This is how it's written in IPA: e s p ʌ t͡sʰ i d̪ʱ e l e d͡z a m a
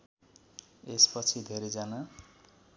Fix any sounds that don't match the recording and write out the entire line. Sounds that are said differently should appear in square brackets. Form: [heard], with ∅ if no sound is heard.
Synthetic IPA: e s p ʌ t͡sʰ i d̪ʱ e [ɾ] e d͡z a [n] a